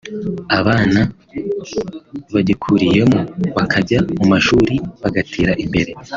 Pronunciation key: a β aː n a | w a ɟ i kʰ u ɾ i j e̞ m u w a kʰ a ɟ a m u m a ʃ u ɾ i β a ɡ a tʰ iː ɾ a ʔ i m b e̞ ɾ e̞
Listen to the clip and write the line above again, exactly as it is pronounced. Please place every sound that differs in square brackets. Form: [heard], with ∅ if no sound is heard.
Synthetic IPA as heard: a β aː n a | [β] a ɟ i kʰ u ɾ i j e̞ m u [β] a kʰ a ɟ a m u m a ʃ u ɾ i β a ɡ a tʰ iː ɾ a ʔ i m b e̞ ɾ e̞